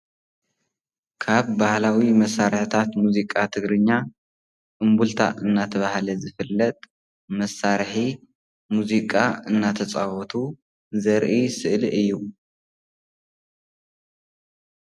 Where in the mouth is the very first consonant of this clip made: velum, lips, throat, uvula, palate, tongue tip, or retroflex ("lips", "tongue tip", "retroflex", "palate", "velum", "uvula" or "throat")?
velum